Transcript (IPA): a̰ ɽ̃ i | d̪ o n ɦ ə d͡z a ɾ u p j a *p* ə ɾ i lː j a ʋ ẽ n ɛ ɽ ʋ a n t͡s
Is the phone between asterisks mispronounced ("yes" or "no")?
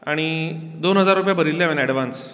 yes